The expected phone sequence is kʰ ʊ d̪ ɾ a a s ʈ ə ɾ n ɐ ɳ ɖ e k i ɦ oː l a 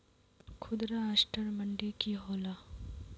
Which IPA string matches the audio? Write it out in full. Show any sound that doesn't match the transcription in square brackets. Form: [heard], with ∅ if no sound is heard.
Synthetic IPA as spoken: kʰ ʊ d̪ ɾ a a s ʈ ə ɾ [m] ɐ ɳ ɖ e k i ɦ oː l a